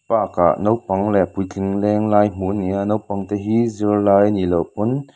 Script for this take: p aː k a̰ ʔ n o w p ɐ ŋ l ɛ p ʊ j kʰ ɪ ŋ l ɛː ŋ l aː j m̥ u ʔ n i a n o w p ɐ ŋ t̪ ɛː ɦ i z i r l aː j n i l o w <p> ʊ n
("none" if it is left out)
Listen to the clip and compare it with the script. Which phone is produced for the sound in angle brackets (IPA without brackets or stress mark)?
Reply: p